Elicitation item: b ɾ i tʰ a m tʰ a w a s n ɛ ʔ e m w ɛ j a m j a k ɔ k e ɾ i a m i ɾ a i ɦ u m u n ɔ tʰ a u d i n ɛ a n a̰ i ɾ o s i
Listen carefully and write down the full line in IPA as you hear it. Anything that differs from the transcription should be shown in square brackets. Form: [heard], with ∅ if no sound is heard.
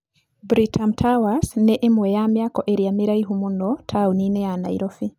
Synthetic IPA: b ɾ i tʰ a m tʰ a w a s n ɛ ʔ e m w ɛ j a m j a k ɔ [ʔ] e ɾ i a m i ɾ a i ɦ u m u n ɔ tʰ a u [n] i n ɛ a n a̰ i ɾ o [f] i